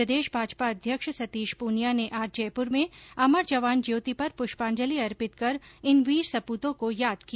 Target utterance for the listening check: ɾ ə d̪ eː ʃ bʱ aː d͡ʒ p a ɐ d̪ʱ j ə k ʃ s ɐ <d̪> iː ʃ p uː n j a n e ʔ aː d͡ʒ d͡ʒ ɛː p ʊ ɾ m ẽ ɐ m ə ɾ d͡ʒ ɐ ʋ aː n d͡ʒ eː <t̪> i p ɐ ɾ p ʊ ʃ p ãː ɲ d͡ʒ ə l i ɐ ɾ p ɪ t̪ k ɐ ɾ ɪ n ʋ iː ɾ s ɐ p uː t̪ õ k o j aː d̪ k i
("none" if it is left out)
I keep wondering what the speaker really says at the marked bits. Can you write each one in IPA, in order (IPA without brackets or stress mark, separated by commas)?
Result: t̪, t̪